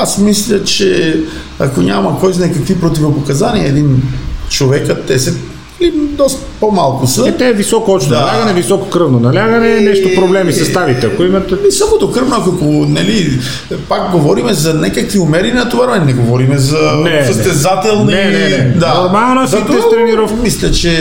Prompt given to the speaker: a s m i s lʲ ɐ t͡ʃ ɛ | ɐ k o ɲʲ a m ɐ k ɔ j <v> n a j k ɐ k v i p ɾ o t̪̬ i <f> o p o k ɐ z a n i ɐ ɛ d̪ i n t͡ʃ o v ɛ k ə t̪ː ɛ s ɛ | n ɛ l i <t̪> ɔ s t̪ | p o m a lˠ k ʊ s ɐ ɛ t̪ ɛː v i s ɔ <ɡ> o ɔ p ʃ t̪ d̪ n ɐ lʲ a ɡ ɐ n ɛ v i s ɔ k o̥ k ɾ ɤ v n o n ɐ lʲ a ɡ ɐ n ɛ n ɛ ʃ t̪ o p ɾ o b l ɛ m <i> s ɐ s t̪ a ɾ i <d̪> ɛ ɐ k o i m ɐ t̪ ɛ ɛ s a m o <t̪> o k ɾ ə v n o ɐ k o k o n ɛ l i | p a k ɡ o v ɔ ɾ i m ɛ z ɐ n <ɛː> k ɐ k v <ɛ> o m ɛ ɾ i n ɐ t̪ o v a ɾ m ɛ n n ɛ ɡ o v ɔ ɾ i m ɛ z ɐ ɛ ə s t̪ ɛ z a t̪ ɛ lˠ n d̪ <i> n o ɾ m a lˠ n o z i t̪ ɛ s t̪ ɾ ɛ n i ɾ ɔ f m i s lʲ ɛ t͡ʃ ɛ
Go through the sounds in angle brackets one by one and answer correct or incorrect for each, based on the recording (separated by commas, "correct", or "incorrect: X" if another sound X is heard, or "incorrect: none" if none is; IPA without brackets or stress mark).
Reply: incorrect: z, incorrect: v, incorrect: d̪, incorrect: k, correct, incorrect: t̪, incorrect: d̪, incorrect: ɛ, incorrect: i, incorrect: a